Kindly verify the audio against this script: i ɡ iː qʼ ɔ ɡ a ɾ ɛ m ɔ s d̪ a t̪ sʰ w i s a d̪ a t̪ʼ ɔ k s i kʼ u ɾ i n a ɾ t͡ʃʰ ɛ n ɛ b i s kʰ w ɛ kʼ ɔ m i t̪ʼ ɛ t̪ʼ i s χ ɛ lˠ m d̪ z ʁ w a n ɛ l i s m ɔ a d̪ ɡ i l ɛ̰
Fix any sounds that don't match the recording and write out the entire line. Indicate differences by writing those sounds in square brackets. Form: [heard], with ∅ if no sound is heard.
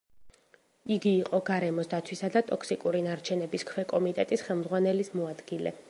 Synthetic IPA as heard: i ɡ iː qʼ ɔ ɡ a ɾ ɛ m ɔ s d̪ a t̪ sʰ w i s a d̪ a t̪ʼ ɔ k s i kʼ u ɾ i n a ɾ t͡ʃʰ ɛ n ɛ b i s kʰ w ɛ kʼ ɔ m i t̪ʼ ɛ t̪ʼ i s χ ɛ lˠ m d̪ z ʁ w a n ɛ l i s m ɔ a d̪ ɡ i l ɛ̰